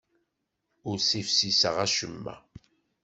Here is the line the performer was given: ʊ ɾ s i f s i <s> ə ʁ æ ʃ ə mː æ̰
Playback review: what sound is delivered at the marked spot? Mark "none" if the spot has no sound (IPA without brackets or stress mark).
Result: s